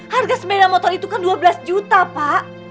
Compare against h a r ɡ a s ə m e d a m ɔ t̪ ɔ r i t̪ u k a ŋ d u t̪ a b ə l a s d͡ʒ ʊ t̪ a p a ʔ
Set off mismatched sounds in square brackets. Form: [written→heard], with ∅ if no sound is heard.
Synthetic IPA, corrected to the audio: h a r ɡ a s ə m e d a m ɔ t̪ ɔ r i t̪ u k a [ŋ→n] d u [t̪→∅] a b ə l a s d͡ʒ [ʊ→u] t̪ a p a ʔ